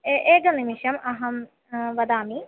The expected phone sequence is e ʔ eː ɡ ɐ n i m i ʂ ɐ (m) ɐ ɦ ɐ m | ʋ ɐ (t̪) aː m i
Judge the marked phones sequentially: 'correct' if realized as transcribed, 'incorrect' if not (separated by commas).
correct, incorrect